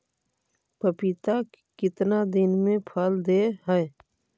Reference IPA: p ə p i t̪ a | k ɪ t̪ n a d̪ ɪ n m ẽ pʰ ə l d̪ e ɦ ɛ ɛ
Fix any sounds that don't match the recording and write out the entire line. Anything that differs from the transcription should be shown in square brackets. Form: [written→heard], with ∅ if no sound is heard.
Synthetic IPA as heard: p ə p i t̪ a | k ɪ t̪ n a d̪ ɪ n m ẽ pʰ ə l d̪ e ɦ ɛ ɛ